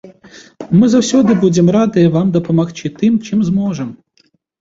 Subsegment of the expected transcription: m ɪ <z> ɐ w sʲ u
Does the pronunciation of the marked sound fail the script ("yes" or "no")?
no